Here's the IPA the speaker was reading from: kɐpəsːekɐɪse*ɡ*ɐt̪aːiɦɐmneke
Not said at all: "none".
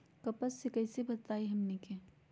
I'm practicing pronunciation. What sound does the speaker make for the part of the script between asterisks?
b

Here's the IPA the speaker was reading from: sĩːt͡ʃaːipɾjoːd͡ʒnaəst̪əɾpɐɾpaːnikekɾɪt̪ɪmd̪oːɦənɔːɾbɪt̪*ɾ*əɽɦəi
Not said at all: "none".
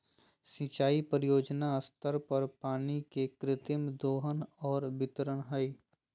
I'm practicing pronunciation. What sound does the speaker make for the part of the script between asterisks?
ɾ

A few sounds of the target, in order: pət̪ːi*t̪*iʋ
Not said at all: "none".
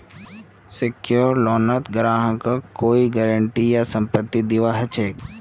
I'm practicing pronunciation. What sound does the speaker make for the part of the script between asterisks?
d̪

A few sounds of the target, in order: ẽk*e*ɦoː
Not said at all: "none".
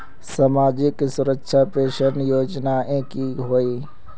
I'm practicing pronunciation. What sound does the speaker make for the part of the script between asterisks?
i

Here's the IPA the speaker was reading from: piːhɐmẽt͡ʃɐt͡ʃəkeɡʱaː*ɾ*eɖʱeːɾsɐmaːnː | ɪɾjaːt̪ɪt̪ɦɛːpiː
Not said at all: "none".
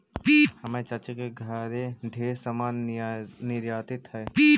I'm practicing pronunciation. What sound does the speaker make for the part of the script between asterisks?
ɾ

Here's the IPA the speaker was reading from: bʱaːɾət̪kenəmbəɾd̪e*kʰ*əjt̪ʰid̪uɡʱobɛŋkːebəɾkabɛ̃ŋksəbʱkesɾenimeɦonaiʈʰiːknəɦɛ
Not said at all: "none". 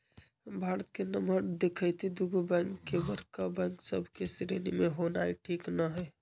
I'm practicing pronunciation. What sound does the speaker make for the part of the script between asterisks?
kʰ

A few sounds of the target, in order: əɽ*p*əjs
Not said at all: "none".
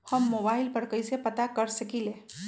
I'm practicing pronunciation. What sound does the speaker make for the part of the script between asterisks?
k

